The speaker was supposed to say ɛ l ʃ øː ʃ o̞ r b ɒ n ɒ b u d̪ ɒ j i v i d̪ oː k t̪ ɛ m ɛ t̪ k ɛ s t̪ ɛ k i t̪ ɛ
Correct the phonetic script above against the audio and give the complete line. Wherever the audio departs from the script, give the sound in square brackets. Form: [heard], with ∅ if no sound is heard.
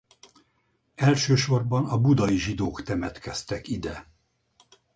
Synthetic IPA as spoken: ɛ l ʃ øː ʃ o̞ r b ɒ n ɒ b u d̪ ɒ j i [ʒ] i d̪ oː k t̪ ɛ m ɛ t̪ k ɛ s t̪ ɛ k i [d̪] ɛ

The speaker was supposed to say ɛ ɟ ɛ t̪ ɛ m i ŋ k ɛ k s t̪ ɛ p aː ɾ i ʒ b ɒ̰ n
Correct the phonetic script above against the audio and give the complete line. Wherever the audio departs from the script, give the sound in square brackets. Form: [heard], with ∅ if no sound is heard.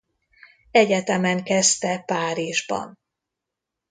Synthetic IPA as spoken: ɛ ɟ ɛ t̪ ɛ m [ɛ] ŋ k ɛ [∅] s t̪ ɛ p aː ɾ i ʒ b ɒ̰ n

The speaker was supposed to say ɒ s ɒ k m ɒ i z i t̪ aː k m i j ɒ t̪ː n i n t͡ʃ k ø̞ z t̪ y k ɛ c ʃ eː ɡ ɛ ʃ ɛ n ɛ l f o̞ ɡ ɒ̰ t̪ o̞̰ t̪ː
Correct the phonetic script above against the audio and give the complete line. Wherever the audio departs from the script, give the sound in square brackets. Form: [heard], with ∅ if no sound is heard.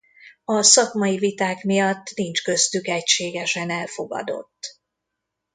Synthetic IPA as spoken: ɒ s ɒ k m ɒ i [v] i t̪ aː k m i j ɒ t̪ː n i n t͡ʃ k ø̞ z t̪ y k ɛ c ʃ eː ɡ ɛ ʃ ɛ n ɛ l f o̞ ɡ ɒ̰ [d̪] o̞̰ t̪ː

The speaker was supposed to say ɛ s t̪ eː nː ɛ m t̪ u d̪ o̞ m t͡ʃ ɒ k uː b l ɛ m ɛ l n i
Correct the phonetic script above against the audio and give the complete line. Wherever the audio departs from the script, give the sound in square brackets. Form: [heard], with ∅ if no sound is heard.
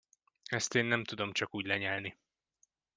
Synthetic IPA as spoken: ɛ s t̪ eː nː ɛ m t̪ u d̪ o̞ m t͡ʃ ɒ k uː [ɟ] l ɛ [ɲ] ɛ l n i

